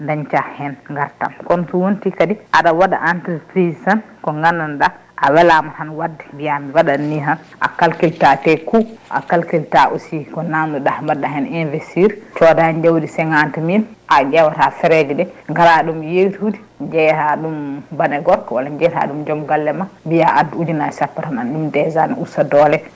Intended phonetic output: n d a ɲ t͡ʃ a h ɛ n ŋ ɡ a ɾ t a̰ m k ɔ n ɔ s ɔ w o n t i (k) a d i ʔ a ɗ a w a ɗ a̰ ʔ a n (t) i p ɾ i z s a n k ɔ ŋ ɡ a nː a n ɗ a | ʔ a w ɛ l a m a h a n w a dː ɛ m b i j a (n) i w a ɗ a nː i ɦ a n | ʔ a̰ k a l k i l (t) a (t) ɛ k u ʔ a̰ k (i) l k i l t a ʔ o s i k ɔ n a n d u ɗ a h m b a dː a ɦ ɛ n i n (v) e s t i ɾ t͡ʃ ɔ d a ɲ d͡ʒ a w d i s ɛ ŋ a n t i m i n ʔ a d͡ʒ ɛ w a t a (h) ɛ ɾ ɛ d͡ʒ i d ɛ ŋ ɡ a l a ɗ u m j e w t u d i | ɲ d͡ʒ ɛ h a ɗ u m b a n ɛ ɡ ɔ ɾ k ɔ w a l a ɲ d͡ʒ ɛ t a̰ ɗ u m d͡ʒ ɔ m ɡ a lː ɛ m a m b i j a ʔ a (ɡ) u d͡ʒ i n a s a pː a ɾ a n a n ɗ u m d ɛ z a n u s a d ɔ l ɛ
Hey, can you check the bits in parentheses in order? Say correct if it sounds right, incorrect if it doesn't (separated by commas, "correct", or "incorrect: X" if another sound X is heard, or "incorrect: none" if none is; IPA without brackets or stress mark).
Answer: correct, correct, incorrect: m, correct, correct, incorrect: a, correct, incorrect: f, incorrect: d